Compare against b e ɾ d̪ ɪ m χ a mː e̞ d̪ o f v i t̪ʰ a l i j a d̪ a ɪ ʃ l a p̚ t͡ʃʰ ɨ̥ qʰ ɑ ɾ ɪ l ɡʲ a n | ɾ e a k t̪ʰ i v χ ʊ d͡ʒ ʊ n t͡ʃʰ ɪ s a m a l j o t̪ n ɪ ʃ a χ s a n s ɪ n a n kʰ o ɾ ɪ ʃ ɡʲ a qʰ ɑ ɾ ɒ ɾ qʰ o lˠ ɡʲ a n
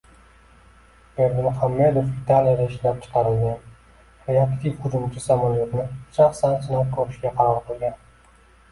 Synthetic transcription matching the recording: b e ɾ d̪ ɪ m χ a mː e̞ d̪ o f v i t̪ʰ a l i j a d̪ a ɪ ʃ l a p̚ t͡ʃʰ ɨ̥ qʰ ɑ ɾ ɪ l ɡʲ a n | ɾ e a k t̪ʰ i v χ ʊ d͡ʒ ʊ m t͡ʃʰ ɪ s a m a l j o t̪ n ɪ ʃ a χ s a n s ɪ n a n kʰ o ɾ ɪ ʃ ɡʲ a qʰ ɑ ɾ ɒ ɾ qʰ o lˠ ɡʲ a n